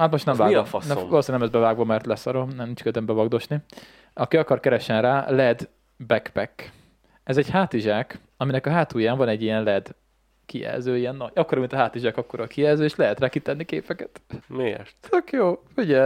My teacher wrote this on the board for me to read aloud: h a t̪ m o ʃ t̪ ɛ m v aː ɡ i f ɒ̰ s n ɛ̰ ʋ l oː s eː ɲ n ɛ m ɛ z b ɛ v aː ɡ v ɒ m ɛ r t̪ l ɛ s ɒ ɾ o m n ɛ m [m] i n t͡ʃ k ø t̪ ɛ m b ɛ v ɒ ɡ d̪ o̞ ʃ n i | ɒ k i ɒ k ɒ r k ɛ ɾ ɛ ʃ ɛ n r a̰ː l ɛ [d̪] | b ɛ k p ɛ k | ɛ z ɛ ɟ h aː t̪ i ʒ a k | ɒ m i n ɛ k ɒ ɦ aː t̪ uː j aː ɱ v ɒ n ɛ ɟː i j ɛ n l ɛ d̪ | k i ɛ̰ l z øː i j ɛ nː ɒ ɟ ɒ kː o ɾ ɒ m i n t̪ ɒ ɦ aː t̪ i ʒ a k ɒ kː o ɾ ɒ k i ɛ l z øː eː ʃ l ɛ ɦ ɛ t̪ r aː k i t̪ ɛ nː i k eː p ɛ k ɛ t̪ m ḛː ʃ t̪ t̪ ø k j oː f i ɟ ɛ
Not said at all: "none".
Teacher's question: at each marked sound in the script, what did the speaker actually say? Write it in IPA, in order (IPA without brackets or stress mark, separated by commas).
n, d̪